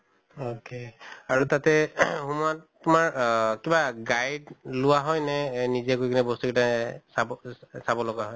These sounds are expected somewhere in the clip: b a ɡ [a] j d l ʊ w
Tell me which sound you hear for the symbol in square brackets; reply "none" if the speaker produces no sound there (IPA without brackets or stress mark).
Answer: a